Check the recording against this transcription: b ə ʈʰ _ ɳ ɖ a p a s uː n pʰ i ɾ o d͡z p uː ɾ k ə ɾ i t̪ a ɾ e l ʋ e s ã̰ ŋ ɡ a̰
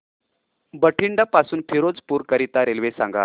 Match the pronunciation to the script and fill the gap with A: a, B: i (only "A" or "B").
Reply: B